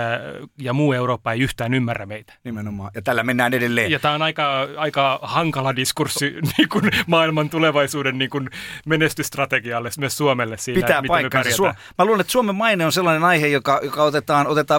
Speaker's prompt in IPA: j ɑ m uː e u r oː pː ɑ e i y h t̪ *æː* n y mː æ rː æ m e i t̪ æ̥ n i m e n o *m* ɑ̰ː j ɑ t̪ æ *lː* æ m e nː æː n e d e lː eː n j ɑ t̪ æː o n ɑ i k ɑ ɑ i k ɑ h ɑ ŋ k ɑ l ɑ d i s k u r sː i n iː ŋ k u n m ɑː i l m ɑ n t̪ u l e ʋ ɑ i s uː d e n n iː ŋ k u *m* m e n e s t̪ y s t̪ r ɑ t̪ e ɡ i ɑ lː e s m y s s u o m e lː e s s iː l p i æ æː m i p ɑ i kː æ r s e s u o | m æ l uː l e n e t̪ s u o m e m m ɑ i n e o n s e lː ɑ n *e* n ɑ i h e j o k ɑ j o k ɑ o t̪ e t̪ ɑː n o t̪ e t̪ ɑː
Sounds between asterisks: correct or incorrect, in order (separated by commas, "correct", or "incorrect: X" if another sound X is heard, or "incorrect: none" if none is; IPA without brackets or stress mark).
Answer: correct, correct, correct, incorrect: n, correct